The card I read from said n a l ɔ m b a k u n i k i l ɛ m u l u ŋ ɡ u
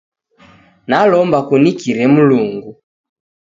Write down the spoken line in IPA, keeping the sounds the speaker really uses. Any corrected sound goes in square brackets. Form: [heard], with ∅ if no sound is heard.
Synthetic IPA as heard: n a l ɔ m b a k u n i k i [ɾ] ɛ m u l u ŋ ɡ u